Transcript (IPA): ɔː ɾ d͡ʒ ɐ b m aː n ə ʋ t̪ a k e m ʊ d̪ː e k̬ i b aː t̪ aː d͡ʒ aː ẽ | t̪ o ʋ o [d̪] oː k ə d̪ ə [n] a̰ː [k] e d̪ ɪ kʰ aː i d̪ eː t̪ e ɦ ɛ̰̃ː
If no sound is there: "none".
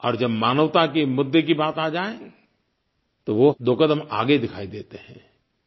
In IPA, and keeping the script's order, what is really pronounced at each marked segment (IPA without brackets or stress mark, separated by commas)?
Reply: d̪, m, ɡ